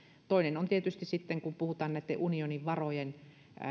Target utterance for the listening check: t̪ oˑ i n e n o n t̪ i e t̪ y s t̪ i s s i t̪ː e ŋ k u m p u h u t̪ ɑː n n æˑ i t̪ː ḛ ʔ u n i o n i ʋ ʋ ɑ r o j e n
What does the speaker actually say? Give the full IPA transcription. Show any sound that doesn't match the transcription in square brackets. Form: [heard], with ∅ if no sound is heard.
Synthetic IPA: t̪ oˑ i n e n o n t̪ i e t̪ y s t̪ i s s i t̪ː e ŋ k u m p u h u t̪ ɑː n n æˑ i t̪ː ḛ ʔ u n i o n i ʋ ʋ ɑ r o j e n